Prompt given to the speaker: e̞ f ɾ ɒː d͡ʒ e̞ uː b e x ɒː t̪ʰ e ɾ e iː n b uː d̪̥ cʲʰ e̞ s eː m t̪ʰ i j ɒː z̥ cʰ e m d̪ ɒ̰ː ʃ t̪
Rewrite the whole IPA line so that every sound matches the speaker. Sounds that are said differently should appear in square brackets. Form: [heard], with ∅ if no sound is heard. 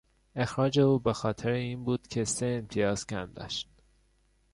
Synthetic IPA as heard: e̞ [x] ɾ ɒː d͡ʒ e̞ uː b e x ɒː t̪ʰ e ɾ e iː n b uː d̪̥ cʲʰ e̞ s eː m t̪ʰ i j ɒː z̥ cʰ [æ] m d̪ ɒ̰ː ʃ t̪